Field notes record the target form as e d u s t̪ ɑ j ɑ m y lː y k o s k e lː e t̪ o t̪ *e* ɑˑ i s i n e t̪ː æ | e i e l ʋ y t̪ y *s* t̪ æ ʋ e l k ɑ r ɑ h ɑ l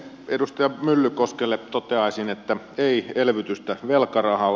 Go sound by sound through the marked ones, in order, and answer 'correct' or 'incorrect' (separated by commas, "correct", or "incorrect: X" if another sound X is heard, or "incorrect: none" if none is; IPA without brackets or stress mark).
correct, correct